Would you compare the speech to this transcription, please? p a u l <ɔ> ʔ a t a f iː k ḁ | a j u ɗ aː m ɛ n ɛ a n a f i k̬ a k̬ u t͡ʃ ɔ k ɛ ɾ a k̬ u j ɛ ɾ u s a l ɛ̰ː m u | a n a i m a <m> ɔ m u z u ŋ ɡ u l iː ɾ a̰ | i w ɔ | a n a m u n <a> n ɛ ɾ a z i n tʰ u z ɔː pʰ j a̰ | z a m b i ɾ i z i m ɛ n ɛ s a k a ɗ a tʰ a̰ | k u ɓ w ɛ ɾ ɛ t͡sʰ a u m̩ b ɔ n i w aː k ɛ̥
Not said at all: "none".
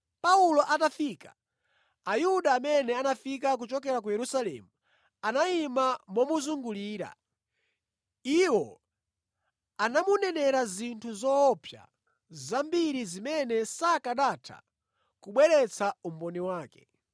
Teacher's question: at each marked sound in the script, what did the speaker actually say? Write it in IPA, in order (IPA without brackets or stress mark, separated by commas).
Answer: ɔ, m, ɛ